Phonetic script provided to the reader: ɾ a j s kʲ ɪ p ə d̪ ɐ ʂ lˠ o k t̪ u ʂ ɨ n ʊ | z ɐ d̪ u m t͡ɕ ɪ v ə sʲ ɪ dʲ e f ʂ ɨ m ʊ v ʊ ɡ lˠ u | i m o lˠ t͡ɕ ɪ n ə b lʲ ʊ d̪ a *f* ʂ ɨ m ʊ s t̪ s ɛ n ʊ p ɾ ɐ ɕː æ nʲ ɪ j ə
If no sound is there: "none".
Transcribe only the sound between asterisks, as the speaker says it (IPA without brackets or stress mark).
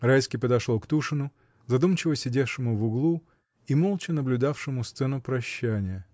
f